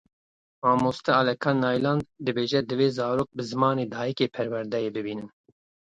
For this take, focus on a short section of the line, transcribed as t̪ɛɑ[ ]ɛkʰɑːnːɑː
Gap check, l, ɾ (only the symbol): l